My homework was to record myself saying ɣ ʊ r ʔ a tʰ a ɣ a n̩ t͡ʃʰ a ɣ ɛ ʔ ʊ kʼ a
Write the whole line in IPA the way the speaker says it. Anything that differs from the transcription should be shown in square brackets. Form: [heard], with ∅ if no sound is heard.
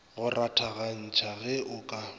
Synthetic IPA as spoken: ɣ ʊ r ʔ a tʰ a ɣ a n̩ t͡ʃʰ a ɣ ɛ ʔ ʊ kʼ a